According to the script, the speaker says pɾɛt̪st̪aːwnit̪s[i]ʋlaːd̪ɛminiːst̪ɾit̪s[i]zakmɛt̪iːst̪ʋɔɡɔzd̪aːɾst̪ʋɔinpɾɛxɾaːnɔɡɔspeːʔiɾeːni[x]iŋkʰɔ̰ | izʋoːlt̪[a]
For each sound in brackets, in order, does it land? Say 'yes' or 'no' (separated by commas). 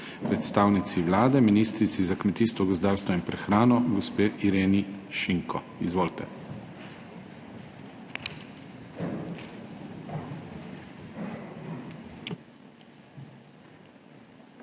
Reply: yes, yes, no, no